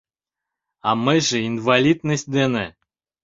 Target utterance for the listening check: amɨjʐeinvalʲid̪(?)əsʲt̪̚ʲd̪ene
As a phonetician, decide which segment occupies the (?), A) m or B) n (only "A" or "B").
B